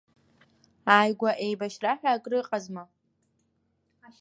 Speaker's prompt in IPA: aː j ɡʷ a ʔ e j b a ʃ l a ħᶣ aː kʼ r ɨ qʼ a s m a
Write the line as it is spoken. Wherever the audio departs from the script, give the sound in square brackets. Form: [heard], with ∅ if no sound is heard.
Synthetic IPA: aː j ɡʷ a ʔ e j b a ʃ [r] a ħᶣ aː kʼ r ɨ qʼ a [z] m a